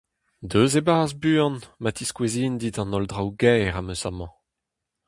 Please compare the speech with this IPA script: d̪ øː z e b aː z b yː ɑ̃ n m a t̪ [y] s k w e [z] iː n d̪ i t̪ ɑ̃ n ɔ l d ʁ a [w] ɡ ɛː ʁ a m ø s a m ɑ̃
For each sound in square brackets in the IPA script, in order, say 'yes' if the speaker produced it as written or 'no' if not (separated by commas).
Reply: no, yes, yes